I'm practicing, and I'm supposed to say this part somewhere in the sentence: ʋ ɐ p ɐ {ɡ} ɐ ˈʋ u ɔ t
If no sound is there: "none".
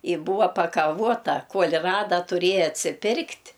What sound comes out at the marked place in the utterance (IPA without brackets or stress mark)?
k